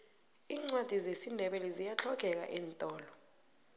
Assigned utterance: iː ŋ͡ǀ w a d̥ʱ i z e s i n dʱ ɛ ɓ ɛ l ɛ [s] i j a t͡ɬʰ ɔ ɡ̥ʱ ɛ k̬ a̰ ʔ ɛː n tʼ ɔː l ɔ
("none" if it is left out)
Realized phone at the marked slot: z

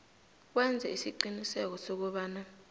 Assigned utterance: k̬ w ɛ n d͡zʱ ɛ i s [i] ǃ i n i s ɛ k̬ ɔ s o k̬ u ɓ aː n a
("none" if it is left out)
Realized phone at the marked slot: i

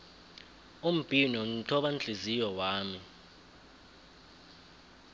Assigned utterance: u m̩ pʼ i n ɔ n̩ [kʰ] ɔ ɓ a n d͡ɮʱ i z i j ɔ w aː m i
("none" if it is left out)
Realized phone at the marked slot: tʰ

